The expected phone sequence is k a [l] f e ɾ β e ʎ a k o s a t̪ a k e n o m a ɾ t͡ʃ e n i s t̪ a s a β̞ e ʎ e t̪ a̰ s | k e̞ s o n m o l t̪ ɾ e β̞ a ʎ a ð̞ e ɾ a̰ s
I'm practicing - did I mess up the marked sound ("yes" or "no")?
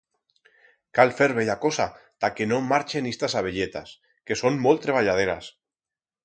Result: no